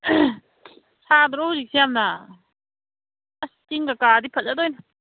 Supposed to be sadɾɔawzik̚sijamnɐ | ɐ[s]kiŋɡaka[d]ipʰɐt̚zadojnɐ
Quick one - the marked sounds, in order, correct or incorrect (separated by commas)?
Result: correct, correct